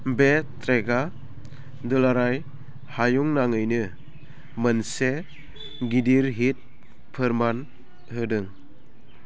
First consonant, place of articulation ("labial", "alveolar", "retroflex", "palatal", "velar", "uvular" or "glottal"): labial